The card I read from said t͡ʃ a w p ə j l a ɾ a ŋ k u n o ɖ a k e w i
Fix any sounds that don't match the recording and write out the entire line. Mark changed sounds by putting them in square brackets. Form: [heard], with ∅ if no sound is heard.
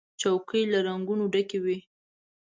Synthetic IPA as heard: t͡ʃ a w [k] ə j l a ɾ a ŋ [ɡ] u n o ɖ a k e w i